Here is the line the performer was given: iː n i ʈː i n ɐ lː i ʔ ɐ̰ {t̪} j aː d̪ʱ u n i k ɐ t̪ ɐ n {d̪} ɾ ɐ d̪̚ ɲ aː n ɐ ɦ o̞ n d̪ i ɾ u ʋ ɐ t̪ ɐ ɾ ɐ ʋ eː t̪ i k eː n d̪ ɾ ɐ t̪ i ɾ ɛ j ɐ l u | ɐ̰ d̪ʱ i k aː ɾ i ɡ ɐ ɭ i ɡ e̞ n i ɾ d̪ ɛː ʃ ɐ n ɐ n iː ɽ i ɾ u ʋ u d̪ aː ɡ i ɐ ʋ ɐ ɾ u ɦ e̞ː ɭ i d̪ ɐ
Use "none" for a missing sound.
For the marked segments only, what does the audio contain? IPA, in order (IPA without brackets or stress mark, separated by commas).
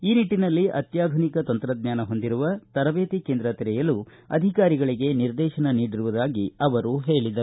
t̪, t̪